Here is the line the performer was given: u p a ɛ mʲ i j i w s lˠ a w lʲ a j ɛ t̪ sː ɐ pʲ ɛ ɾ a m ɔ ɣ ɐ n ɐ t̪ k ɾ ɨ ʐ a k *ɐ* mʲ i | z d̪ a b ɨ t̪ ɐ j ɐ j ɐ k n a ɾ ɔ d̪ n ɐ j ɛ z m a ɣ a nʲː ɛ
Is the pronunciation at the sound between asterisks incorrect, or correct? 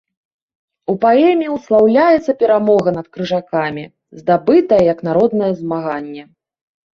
incorrect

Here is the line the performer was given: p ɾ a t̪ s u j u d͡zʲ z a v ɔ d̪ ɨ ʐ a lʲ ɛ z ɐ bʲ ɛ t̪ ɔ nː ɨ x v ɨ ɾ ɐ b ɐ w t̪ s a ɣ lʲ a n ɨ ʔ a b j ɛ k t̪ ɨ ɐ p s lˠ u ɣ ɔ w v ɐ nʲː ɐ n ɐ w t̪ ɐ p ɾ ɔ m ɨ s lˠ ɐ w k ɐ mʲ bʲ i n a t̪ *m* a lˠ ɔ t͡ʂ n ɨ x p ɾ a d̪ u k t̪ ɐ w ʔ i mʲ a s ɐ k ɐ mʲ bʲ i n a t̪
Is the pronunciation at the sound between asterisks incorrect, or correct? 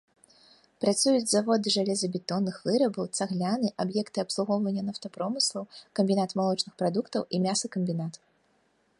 correct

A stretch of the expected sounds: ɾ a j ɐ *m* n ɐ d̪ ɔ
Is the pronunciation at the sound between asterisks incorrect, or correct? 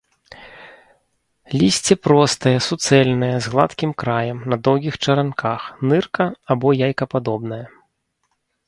correct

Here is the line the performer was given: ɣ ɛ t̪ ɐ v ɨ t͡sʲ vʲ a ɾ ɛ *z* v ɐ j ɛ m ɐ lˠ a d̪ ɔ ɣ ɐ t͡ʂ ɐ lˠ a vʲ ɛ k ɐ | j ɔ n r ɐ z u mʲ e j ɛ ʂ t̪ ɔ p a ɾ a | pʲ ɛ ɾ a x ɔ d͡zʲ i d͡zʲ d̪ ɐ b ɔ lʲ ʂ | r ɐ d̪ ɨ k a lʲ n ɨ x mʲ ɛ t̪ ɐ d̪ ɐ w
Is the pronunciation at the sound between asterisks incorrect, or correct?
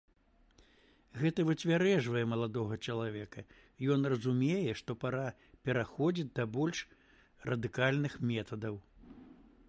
incorrect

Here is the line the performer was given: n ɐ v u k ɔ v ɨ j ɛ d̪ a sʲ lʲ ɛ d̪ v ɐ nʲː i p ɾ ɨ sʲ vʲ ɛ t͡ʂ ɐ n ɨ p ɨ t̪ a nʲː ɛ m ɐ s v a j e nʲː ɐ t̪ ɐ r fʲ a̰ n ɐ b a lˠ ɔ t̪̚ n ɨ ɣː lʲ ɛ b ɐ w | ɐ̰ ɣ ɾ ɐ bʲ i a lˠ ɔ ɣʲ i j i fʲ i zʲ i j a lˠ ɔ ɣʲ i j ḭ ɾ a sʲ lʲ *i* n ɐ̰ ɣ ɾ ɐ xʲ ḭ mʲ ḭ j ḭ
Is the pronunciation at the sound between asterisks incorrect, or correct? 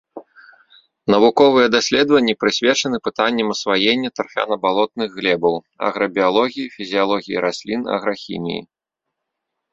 correct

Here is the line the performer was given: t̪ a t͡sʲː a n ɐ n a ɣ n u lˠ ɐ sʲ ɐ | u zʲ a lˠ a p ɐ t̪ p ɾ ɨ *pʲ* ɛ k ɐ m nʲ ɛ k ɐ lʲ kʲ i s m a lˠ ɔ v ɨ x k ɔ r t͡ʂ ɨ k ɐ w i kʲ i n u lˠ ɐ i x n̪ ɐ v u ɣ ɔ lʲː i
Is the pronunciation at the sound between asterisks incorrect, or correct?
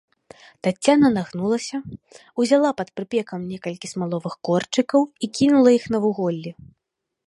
correct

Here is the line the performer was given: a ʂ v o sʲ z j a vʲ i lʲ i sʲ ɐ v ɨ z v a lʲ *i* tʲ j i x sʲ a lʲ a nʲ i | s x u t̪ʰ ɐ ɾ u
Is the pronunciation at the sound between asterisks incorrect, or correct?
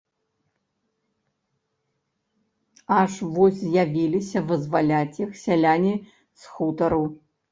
incorrect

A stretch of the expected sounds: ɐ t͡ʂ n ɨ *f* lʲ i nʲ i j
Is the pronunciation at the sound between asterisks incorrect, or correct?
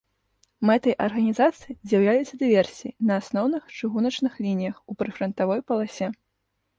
incorrect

